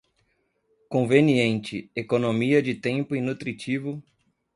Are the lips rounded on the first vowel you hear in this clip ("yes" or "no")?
yes